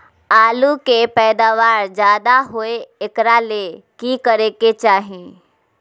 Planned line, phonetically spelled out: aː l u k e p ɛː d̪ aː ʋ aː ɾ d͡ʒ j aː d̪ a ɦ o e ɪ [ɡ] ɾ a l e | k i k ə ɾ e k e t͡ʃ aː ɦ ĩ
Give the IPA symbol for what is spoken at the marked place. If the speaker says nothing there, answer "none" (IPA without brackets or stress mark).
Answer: k